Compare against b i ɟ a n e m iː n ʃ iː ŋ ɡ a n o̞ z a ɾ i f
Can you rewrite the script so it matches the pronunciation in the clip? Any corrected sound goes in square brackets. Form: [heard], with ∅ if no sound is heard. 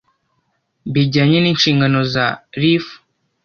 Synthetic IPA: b i ɟ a [ɲ] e [n] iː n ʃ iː ŋ ɡ a n o̞ z a ɾ i f

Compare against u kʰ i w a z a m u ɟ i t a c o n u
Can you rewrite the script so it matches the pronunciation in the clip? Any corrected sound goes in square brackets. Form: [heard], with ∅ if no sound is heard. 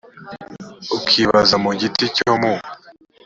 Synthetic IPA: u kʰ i [β] a z a m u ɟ i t [i] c o [m] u

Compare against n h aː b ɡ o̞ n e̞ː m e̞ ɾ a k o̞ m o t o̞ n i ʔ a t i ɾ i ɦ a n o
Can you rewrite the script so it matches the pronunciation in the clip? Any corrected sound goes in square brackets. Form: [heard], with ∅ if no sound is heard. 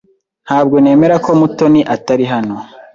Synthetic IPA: n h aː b ɡ o̞ n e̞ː m e̞ ɾ a k o̞ m [u] t o̞ n i ʔ a t [a] ɾ i ɦ a n o

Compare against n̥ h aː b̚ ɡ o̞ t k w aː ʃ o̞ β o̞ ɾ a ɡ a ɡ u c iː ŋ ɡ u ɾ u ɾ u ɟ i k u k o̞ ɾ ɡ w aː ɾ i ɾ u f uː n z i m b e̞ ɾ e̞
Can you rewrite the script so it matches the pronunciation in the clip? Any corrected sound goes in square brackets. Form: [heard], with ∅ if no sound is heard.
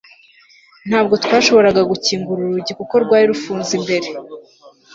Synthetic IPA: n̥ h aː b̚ ɡ o̞ t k w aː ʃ o̞ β o̞ ɾ a ɡ a ɡ u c iː ŋ ɡ u ɾ u ɾ u ɟ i k u k o̞ ɾ ɡ w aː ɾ i ɾ u f uː n z i m b e̞ ɾ e̞

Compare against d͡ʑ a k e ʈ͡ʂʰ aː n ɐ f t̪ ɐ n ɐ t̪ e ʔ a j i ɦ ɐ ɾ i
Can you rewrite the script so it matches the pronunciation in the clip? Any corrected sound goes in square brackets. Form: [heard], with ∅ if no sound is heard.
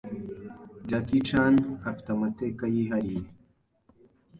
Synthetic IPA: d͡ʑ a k [i] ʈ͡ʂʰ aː n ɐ f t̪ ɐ [m] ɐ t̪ e [k] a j i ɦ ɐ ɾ i

